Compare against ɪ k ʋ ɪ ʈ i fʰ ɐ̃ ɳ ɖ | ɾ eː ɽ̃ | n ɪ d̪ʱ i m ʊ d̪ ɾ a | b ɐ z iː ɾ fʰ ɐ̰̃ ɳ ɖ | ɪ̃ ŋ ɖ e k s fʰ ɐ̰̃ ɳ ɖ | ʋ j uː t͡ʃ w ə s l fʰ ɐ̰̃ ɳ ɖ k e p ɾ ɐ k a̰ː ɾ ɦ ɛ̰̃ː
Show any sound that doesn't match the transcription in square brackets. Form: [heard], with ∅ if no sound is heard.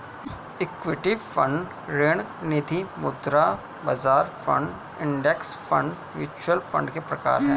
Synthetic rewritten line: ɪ k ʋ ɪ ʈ i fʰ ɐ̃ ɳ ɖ | ɾ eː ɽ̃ | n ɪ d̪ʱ i m ʊ d̪ ɾ a | b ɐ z [aː] ɾ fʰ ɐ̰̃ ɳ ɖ | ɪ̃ [ɳ] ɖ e k s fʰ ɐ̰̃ ɳ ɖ | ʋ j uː t͡ʃ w ə [∅] l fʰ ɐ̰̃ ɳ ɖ k e p ɾ ɐ k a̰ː ɾ ɦ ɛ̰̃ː

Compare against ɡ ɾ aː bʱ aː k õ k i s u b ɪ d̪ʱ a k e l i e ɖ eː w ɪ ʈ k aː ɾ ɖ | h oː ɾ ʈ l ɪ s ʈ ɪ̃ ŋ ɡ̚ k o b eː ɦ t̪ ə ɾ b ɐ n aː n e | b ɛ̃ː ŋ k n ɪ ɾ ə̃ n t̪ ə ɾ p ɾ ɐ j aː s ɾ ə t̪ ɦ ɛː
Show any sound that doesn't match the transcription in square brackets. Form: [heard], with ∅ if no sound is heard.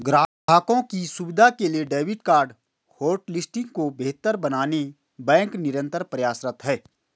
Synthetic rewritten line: ɡ ɾ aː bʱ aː k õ k i s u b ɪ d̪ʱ a k e l i e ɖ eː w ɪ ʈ k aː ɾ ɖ | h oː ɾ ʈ l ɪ s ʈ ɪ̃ ŋ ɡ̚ k o b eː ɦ t̪ ə ɾ b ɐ n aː n e | b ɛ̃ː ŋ k n ɪ ɾ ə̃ n t̪ ə ɾ p ɾ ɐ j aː s ɾ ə t̪ ɦ ɛː

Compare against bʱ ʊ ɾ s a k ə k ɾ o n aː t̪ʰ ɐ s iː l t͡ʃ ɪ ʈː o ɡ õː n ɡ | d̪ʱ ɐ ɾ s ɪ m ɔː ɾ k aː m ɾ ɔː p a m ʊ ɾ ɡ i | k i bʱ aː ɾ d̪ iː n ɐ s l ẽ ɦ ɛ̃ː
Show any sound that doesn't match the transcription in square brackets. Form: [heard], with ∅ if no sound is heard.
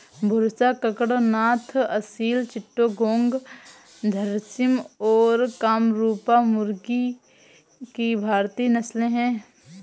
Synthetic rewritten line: bʱ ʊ ɾ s a k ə k [ɽ] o n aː t̪ʰ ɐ s iː l t͡ʃ ɪ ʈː o ɡ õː [ŋ] ɡ | d̪ʱ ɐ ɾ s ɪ m ɔː ɾ k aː m ɾ [uː] p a m ʊ ɾ ɡ i | k i bʱ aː ɾ [t̪] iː n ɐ s l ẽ ɦ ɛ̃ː

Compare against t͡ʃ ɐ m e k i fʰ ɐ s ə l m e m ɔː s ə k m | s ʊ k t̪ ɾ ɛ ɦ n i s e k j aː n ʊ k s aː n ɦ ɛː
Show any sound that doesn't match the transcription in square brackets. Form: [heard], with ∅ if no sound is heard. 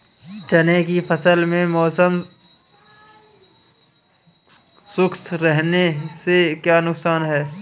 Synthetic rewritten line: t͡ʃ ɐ [n] e k i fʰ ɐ s ə l m [ẽ] m ɔː s ə [∅] m | s ʊ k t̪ ɾ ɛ ɦ n [e] s e k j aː n ʊ k s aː n ɦ ɛː

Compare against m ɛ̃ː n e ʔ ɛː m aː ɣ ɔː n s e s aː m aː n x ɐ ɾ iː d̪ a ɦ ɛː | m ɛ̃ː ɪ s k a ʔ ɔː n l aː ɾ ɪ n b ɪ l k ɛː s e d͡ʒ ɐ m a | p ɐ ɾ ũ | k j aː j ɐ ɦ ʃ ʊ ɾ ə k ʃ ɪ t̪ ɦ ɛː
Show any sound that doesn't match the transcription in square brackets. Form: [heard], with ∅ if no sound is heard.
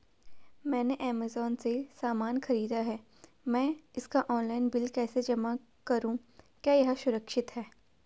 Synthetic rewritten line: m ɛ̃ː n e ʔ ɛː m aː [z] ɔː n s e s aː m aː n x ɐ ɾ iː d̪ a ɦ ɛː | m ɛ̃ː ɪ s k a ʔ ɔː n l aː [∅] ɪ n b ɪ l k ɛː s e d͡ʒ ɐ m a | [k] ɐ ɾ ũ | k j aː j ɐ ɦ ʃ ʊ ɾ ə k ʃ ɪ t̪ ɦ ɛː

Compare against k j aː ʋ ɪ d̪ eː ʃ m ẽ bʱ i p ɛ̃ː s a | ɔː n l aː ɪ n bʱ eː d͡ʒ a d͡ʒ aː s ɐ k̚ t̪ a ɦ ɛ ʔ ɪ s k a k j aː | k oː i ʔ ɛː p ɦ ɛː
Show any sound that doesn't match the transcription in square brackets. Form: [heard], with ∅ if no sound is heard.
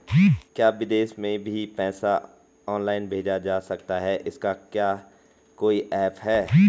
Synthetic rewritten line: k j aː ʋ ɪ d̪ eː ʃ m ẽ bʱ i p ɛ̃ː s a | ɔː n l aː ɪ n bʱ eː d͡ʒ a d͡ʒ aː s ɐ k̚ t̪ a ɦ ɛ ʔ ɪ s k a k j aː | k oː i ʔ ɛː p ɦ ɛː

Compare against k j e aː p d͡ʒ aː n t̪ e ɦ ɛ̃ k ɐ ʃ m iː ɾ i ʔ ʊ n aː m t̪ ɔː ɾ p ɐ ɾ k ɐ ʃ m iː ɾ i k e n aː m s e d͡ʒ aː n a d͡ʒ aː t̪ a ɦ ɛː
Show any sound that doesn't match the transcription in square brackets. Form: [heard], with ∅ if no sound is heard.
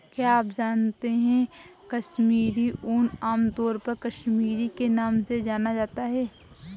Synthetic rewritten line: k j [a] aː p d͡ʒ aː n t̪ e ɦ ɛ̃ k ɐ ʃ m iː ɾ i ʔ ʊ n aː m t̪ ɔː ɾ p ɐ ɾ k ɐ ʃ m iː ɾ i k e n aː m s e d͡ʒ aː n a d͡ʒ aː t̪ a ɦ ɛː

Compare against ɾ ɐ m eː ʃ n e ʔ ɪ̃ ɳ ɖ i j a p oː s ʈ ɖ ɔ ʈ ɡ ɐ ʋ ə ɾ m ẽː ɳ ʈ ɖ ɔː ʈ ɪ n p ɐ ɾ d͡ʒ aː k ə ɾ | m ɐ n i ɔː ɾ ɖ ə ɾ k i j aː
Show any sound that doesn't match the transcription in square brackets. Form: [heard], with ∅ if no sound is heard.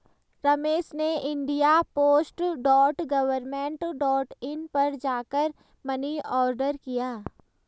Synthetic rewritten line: ɾ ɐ m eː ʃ n e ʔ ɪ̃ ɳ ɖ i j a p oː s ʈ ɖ [ɔː] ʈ ɡ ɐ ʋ ə ɾ m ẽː ɳ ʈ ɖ ɔː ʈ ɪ n p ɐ ɾ d͡ʒ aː k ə ɾ | m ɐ n i ɔː ɾ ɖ ə ɾ k i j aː

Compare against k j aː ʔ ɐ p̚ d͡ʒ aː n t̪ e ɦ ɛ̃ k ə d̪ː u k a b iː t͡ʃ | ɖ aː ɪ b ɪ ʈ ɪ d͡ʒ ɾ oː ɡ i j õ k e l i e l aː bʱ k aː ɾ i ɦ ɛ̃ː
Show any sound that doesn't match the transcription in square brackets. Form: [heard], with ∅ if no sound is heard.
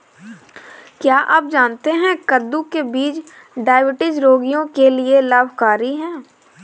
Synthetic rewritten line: k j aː ʔ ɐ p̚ d͡ʒ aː n t̪ e ɦ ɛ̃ k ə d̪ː u k [e] b iː t͡ʃ | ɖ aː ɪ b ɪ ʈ ɪ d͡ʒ ɾ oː ɡ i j õ k e l i e l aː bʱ k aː ɾ i ɦ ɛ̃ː

